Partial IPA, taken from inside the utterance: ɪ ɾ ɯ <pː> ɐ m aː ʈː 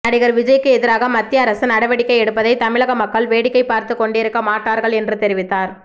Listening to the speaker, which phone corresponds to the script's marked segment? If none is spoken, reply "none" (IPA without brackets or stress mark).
kː